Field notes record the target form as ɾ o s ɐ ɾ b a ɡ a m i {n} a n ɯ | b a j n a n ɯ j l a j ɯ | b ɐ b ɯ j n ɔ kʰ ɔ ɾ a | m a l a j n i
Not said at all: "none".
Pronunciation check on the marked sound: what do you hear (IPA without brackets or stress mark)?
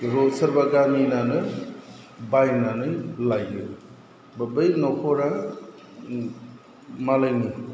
n